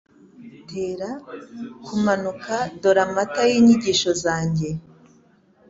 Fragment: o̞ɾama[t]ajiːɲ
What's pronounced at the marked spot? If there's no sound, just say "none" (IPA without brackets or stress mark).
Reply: t